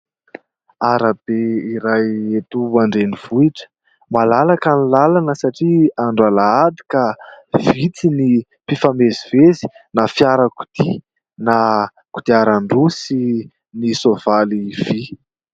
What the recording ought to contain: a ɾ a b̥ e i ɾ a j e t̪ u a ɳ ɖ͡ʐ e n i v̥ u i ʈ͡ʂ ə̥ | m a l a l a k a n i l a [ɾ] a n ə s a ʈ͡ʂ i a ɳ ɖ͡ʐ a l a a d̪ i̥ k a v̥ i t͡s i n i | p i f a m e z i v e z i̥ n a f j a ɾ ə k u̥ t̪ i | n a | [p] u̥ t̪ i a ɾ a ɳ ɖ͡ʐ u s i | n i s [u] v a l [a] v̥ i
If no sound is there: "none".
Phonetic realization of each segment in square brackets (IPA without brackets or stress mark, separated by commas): l, k, o, i